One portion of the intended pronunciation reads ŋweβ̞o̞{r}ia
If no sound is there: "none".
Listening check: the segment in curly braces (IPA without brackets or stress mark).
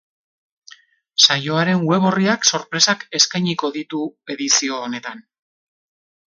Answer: r